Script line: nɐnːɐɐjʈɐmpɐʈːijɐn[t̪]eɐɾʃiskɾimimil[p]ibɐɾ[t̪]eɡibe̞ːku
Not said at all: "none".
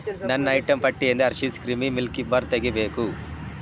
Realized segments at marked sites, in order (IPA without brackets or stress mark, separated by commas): d̪, k, t̪